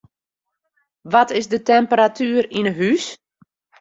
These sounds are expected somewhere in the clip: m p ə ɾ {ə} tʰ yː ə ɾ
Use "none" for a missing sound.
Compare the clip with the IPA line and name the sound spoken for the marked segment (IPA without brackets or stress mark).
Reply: a